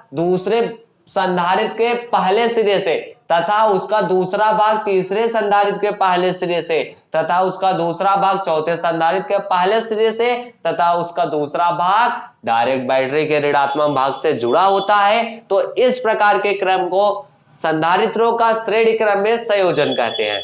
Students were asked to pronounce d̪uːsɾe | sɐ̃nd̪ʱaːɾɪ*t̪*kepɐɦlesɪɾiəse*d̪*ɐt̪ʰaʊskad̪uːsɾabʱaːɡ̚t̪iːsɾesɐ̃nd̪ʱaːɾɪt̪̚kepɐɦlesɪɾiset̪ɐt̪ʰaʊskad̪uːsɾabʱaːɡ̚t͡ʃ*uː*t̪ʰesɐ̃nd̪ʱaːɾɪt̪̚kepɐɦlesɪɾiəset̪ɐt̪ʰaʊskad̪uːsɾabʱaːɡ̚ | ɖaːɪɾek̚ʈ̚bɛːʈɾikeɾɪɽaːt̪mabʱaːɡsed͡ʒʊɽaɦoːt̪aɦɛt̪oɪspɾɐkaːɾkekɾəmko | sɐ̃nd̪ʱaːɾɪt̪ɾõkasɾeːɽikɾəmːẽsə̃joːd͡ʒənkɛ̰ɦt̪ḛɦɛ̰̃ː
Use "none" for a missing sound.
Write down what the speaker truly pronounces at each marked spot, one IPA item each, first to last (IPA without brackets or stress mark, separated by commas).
t̪, t̪, ɔː